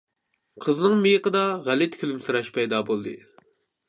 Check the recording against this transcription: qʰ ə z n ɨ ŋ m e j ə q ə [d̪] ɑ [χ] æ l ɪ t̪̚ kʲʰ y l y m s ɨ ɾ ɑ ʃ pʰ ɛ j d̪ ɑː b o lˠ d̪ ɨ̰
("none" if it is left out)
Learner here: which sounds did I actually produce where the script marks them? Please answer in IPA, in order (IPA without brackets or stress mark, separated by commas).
d̪, ʁ